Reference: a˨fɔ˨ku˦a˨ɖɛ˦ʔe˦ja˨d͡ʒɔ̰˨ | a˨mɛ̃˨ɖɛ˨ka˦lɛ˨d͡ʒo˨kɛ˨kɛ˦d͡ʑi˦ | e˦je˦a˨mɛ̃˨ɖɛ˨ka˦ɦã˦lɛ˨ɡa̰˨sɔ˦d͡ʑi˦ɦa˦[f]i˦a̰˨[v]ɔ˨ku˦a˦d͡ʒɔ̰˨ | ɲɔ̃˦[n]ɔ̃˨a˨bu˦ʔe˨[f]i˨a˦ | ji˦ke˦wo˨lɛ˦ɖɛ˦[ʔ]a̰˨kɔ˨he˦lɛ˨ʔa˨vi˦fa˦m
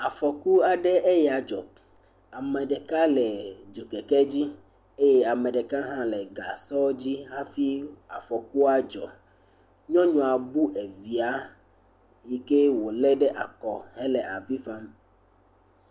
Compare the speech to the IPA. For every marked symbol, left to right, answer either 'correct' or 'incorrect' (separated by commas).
correct, incorrect, incorrect, incorrect, correct